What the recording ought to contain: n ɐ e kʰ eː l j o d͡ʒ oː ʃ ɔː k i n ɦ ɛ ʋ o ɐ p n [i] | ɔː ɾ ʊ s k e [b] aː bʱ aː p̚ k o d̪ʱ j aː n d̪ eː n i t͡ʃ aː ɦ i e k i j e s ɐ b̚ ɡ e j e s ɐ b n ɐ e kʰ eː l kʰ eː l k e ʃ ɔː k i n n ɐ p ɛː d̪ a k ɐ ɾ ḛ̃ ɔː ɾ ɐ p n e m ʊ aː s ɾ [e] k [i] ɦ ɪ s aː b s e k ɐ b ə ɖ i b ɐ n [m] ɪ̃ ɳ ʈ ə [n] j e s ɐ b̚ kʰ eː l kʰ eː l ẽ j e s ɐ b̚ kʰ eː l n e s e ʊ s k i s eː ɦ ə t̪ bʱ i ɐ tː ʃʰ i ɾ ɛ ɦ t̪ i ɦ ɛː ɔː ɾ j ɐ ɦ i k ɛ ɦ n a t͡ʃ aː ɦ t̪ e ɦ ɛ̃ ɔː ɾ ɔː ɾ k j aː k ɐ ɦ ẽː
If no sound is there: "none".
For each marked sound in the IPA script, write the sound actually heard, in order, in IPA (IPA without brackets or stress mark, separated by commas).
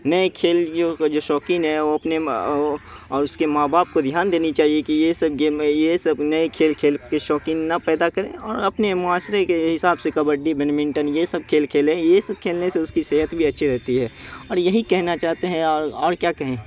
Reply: e, m, e, e, m, n